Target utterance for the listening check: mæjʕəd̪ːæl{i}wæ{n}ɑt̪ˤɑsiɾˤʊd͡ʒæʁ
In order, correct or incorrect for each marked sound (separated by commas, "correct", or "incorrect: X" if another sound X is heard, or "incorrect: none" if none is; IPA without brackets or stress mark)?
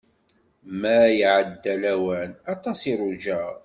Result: incorrect: æ, correct